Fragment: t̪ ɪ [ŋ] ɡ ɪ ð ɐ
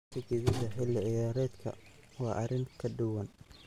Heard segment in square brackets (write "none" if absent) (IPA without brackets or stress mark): none